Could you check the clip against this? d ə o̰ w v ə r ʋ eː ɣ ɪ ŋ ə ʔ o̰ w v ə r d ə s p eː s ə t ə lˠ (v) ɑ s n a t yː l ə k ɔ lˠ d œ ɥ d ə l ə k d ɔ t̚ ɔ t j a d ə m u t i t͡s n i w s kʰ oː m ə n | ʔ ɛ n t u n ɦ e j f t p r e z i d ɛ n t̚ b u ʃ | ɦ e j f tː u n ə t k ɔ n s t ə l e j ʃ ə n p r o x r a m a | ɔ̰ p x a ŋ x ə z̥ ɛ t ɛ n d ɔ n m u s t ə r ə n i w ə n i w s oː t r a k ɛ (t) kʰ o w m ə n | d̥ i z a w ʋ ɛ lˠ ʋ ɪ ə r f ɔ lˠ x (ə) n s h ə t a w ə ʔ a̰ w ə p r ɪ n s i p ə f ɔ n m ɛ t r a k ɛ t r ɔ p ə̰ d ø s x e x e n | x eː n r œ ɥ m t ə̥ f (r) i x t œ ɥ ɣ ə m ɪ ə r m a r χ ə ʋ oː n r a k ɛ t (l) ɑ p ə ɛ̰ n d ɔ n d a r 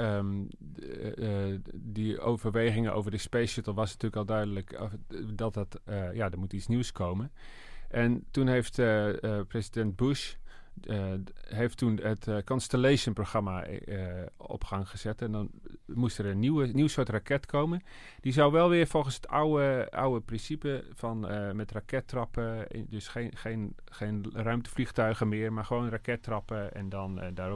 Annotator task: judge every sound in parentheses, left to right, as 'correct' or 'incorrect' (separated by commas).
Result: incorrect, correct, correct, incorrect, incorrect